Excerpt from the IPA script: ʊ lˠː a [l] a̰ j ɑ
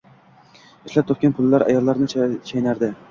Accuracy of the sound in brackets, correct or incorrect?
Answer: incorrect